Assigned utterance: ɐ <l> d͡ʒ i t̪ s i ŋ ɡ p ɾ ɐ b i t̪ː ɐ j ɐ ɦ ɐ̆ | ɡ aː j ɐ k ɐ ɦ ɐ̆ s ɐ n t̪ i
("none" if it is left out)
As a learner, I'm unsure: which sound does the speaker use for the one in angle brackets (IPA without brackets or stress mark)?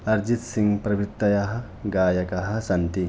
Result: ɾ